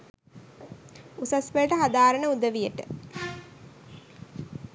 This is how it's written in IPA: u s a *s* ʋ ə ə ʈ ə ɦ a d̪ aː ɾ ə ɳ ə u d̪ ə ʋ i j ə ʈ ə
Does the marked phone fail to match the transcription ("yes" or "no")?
no